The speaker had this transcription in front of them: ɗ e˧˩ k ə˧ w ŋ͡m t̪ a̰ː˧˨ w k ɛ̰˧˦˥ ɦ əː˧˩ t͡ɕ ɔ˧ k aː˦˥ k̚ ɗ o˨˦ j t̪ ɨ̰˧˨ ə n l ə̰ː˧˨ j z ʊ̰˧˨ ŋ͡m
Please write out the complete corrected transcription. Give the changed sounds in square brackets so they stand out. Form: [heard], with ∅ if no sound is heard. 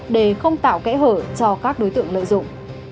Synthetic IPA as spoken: ɗ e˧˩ [x] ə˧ w ŋ͡m t̪ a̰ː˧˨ w k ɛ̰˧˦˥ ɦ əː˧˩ t͡ɕ ɔ˧ k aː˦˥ k̚ ɗ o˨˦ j t̪ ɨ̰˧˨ ə [ŋ] l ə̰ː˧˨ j z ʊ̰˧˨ ŋ͡m